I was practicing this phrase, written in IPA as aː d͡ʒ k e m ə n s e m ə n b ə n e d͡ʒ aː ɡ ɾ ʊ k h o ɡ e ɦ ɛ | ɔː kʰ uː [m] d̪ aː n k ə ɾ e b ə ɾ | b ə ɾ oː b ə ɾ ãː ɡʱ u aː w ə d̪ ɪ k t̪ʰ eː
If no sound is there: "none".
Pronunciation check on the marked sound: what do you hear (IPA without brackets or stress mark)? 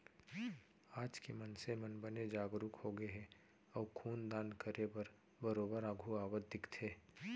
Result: n